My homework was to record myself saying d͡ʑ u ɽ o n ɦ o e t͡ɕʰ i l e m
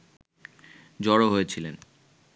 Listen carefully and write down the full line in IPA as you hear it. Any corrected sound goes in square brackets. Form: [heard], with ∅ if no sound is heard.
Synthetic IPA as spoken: d͡ʑ [ɔ] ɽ o [∅] ɦ o e t͡ɕʰ i l e [n]